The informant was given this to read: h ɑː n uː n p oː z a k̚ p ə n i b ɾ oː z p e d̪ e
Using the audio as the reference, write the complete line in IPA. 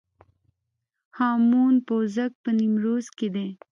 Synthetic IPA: h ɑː m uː n p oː z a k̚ p ə n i m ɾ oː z k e d̪ e